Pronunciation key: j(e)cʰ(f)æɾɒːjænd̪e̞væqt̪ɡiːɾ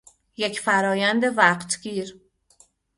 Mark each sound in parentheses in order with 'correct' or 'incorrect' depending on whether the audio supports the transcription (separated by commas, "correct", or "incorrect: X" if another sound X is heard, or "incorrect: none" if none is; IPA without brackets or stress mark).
correct, correct